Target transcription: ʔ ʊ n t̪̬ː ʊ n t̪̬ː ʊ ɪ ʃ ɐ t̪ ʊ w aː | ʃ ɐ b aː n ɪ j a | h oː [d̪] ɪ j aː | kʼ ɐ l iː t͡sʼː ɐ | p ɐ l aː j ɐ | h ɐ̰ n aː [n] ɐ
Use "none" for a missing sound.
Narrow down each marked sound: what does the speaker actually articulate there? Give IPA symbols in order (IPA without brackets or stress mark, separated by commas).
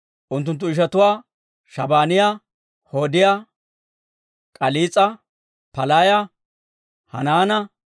d̪, n